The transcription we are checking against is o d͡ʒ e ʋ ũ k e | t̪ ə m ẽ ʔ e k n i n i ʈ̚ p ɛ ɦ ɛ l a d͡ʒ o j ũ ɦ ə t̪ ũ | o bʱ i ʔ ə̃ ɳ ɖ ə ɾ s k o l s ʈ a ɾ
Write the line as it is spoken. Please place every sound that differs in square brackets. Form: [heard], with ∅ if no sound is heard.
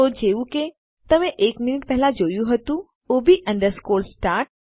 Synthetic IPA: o d͡ʒ e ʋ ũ k e | t̪ ə m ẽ ʔ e k [m] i n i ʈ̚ p ɛ ɦ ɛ l a d͡ʒ o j ũ ɦ ə t̪ ũ | o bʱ i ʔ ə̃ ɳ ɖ ə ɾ s k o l s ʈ a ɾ